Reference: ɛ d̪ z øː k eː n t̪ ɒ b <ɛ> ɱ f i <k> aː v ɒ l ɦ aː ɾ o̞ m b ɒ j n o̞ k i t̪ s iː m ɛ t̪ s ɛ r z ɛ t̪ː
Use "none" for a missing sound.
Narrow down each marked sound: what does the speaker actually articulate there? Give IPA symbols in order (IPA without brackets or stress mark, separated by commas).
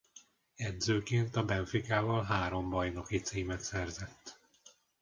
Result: ɛ, k